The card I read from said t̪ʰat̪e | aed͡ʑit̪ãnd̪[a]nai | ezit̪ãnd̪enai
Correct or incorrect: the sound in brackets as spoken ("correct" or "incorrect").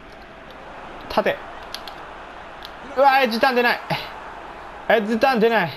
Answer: incorrect